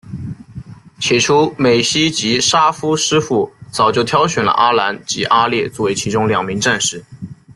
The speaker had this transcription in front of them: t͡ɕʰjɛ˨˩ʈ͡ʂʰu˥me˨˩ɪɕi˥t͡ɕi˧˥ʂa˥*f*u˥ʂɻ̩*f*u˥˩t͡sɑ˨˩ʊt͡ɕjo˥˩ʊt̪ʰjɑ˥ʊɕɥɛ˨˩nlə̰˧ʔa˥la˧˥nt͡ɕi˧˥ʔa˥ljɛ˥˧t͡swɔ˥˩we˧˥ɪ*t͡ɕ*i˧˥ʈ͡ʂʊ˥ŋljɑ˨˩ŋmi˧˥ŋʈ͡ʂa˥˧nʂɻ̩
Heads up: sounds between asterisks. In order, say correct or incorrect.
correct, correct, incorrect: t͡ɕʰ

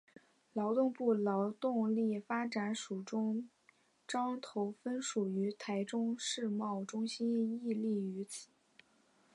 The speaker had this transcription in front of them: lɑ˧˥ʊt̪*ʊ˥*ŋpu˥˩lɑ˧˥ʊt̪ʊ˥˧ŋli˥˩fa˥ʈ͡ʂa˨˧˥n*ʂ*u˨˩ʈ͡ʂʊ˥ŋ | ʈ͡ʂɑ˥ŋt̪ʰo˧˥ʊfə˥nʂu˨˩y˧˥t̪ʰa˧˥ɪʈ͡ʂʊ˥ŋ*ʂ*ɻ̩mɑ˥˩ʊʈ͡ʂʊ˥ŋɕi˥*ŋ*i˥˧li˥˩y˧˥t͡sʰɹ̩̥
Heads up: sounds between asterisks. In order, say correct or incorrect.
incorrect: ʊ˥˧, correct, correct, incorrect: n

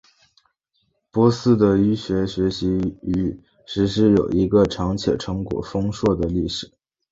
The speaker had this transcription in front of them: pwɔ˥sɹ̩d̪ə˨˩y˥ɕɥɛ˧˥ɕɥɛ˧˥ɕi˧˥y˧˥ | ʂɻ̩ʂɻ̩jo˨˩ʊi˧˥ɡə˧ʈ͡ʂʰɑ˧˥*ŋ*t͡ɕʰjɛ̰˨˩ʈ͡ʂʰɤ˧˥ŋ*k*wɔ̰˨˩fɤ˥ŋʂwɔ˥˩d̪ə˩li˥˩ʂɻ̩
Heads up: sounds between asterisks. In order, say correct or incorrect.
correct, correct

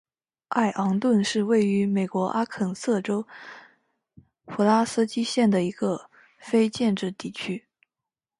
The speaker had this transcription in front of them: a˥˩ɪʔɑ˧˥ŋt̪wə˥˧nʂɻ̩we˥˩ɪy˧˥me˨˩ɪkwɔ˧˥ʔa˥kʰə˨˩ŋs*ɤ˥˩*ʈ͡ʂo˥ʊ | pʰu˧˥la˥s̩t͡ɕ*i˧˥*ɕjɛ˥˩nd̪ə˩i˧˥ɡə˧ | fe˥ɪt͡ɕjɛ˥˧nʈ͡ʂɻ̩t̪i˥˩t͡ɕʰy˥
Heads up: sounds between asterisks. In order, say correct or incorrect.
correct, incorrect: i˥

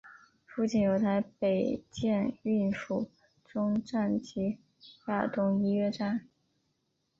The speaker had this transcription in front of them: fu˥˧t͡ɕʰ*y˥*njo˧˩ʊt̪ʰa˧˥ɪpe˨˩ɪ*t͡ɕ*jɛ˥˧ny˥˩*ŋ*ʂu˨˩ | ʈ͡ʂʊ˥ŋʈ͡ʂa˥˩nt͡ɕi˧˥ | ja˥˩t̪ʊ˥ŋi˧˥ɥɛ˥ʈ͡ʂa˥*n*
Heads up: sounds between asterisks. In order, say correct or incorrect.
incorrect: i˥, correct, incorrect: n, correct

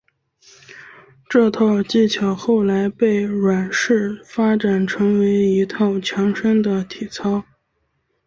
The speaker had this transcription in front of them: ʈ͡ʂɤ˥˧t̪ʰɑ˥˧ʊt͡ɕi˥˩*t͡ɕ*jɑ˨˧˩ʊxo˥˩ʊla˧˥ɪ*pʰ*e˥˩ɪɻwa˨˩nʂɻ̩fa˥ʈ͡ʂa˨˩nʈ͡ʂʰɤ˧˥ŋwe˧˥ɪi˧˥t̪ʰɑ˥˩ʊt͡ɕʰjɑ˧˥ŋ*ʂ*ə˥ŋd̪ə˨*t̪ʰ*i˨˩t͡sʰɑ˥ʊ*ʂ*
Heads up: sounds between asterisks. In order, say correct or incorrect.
incorrect: t͡ɕʰ, incorrect: p, correct, correct, incorrect: none

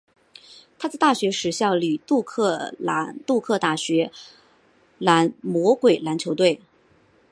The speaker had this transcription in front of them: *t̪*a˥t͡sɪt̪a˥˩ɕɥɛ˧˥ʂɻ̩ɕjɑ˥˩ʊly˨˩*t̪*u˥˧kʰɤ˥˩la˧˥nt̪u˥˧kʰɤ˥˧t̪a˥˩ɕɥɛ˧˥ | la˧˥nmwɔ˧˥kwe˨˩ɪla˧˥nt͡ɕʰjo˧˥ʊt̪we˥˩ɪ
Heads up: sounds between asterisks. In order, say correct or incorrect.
incorrect: t̪ʰ, correct

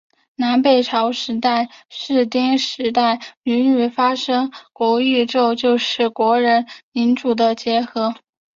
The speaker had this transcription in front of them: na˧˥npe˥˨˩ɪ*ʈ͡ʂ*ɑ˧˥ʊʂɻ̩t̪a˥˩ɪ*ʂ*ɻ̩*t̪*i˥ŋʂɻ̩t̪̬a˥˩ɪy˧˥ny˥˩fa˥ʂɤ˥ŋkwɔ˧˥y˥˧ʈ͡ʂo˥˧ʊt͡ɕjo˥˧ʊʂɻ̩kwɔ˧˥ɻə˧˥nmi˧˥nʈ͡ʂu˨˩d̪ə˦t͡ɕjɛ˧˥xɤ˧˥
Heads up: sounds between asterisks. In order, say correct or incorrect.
incorrect: ʈ͡ʂʰ, correct, correct

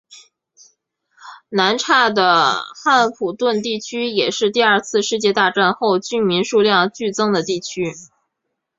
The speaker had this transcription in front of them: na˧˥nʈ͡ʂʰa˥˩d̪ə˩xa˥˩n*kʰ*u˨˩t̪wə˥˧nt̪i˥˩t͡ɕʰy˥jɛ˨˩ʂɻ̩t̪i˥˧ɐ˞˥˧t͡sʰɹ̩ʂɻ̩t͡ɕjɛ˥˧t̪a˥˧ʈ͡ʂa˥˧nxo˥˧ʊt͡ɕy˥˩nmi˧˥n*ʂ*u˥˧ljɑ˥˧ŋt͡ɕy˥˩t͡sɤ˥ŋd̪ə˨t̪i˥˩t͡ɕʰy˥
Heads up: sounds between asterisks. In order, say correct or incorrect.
incorrect: pʰ, correct

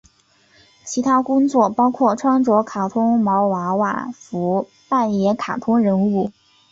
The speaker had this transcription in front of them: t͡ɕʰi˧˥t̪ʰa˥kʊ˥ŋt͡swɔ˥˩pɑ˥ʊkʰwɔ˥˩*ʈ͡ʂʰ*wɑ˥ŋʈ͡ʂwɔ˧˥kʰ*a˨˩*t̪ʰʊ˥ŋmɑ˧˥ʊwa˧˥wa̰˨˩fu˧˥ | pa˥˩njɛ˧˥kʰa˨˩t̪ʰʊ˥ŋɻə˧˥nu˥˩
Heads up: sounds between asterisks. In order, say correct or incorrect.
correct, correct

